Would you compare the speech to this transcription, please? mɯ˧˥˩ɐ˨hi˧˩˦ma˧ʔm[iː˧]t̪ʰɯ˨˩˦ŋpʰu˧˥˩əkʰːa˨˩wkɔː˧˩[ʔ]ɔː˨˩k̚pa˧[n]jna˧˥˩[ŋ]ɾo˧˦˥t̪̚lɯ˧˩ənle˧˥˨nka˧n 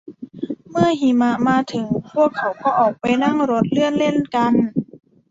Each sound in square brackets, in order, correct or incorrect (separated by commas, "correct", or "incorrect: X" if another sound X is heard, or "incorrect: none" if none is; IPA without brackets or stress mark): incorrect: aː˧, correct, incorrect: none, correct